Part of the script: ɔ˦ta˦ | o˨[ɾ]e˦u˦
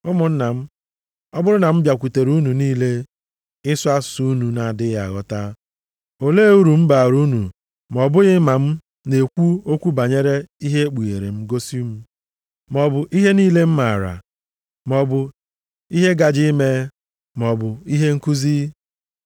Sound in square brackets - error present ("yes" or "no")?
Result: yes